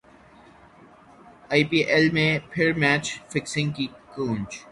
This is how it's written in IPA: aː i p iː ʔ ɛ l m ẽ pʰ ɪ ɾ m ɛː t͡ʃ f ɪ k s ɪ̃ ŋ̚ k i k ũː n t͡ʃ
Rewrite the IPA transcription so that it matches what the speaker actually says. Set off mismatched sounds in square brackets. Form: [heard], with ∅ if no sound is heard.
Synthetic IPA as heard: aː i p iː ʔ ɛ l m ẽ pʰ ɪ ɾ m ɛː t͡ʃ f ɪ k s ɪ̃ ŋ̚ k i k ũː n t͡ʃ